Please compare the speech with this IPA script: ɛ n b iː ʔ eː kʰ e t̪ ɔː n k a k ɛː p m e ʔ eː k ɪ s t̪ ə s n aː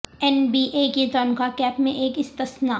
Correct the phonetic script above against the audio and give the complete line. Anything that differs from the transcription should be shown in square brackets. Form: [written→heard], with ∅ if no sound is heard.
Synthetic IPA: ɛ n b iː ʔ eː [kʰ→k] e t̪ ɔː n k a k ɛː p m [e→ẽ] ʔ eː k ɪ s t̪ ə s n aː